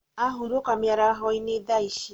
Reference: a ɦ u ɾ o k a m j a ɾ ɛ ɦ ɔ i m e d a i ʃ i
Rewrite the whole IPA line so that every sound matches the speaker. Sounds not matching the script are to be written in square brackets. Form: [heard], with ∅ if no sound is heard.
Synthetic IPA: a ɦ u ɾ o k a m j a ɾ [a] ɦ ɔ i [n] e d a i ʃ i